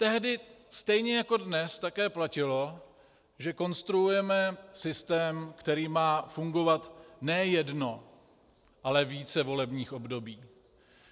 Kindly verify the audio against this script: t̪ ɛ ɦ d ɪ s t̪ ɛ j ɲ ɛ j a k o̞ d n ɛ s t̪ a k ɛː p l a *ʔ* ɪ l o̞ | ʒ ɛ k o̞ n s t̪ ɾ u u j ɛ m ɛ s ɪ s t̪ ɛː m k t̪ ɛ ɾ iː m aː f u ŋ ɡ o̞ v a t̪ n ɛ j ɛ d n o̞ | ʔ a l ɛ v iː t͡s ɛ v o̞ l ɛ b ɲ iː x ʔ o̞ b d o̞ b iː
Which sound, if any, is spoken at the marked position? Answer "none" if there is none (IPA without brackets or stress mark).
c